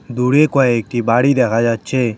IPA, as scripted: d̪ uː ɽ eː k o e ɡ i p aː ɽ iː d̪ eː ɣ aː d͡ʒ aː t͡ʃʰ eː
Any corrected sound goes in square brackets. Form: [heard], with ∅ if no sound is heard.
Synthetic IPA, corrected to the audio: d̪ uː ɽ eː k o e [k] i [b] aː ɽ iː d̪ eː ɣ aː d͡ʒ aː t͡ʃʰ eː

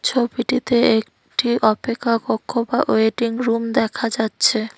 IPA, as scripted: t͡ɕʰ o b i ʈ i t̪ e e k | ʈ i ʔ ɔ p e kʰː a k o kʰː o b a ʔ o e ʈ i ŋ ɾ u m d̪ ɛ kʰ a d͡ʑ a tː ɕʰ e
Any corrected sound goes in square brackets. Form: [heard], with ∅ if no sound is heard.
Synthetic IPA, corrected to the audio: t͡ɕʰ o b i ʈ i t̪ e e k | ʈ i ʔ ɔ p e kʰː a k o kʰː o b a ʔ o e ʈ i ŋ ɾ u m d̪ ɛ kʰ a d͡ʑ a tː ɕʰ e

